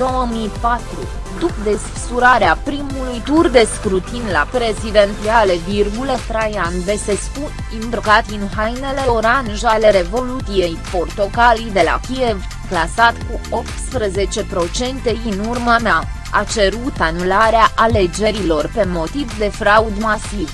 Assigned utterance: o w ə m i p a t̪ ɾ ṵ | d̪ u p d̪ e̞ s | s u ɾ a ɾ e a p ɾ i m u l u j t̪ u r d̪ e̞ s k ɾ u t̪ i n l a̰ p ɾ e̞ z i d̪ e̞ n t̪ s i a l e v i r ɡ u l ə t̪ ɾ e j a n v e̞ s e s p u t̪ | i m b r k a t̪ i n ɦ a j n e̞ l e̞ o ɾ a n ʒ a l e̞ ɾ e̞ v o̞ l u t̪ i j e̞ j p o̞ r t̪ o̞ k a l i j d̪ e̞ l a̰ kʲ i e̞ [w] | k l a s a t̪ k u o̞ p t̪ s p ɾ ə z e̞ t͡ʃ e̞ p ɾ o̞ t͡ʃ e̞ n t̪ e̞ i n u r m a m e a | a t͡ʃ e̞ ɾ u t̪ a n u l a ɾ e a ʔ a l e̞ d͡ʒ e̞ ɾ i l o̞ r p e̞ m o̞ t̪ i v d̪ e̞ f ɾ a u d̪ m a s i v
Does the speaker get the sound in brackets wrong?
yes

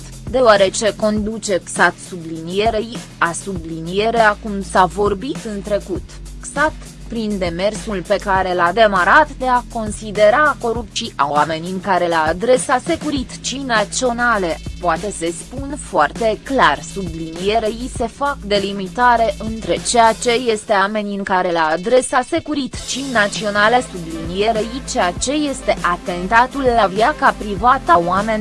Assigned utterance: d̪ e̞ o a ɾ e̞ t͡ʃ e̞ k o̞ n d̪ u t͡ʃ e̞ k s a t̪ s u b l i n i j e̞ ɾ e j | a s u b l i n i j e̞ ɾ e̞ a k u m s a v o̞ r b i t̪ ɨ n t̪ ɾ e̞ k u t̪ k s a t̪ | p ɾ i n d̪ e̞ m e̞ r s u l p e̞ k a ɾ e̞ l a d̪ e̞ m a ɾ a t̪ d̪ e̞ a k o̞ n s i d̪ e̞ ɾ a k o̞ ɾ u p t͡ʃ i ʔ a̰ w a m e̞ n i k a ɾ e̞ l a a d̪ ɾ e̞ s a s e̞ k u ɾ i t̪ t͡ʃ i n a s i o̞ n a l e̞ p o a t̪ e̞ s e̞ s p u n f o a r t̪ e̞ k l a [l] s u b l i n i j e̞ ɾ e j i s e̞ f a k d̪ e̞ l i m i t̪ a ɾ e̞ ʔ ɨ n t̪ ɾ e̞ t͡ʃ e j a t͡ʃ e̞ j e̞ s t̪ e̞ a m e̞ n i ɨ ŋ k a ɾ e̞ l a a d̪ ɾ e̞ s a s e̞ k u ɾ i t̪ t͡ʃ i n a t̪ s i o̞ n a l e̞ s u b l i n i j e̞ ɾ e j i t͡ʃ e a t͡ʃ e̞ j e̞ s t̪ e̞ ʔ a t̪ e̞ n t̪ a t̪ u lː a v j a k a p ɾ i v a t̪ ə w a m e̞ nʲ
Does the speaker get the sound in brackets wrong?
yes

